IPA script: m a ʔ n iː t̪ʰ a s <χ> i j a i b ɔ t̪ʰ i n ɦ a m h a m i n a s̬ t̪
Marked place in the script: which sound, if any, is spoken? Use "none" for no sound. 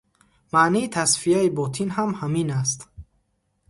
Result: f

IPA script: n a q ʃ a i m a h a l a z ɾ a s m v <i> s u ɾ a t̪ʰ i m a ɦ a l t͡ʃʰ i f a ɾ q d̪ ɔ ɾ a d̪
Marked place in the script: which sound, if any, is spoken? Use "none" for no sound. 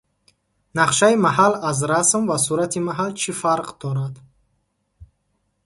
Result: a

